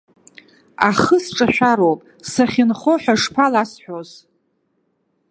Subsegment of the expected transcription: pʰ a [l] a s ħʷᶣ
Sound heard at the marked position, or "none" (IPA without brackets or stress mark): l